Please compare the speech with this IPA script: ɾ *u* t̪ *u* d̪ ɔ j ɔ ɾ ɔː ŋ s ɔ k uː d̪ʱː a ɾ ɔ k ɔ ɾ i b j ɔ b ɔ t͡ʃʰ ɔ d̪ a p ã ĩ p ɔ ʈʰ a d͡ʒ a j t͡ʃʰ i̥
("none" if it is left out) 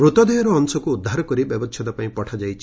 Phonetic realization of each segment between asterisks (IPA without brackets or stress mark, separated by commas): u, ɔ